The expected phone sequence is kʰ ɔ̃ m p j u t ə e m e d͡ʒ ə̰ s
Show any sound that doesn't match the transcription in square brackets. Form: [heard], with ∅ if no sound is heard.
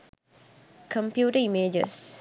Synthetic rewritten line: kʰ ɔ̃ m p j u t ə [i] m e d͡ʒ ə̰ s